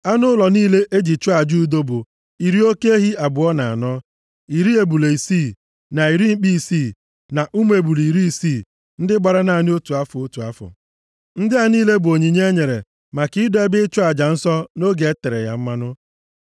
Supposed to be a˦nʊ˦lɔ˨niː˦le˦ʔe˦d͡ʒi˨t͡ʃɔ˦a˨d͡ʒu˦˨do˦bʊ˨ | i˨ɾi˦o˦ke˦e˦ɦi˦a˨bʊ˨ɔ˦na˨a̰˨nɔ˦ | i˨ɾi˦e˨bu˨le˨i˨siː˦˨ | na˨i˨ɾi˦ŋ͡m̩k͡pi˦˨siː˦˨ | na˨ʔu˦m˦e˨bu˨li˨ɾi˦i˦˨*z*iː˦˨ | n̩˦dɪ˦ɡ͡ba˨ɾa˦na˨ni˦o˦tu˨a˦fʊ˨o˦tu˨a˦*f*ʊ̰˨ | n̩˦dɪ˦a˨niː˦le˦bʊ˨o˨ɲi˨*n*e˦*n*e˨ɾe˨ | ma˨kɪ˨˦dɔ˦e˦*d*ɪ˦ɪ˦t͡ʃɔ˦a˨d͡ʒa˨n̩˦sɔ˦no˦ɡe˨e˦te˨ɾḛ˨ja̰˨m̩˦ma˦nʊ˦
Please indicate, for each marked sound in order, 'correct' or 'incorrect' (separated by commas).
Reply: incorrect, correct, incorrect, incorrect, incorrect